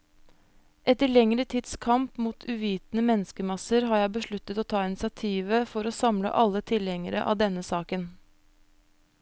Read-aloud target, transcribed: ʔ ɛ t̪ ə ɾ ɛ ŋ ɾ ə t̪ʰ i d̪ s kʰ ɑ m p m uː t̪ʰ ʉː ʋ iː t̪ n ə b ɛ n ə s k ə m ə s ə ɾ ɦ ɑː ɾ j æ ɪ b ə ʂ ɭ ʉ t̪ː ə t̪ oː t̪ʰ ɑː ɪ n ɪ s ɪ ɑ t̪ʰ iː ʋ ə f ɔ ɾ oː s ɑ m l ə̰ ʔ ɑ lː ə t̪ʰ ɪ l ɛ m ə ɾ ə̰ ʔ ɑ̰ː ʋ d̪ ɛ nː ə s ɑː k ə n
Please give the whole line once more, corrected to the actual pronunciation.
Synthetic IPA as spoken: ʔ ɛ t̪ ə ɭ ɛ ŋ ɾ ə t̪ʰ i d̪ s kʰ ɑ m p m uː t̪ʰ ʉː ʋ iː t̪ n ə m ɛ n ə s k ə m ɑ s ə ɾ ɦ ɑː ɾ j æ ɪ b ə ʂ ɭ ʉ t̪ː ə t̪ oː t̪ʰ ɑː ɪ n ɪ s ɪ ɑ t̪ʰ iː ʋ ə f ɔ ɾ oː s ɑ m l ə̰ ʔ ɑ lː ə t̪ʰ ɪ l ɛ ŋ ə ɾ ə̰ ʔ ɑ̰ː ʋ d̪ ɛ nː ə s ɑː k ə n